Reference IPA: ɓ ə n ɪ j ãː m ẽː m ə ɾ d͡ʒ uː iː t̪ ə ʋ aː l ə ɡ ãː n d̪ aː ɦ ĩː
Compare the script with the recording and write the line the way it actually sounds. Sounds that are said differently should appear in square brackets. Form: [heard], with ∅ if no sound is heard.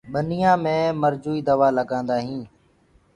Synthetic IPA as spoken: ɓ ə n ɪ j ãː m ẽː m ə ɾ d͡ʒ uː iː [d̪] ə ʋ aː l ə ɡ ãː n d̪ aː ɦ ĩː